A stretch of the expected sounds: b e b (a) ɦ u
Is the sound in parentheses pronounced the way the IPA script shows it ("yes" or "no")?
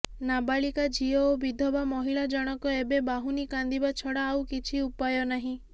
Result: yes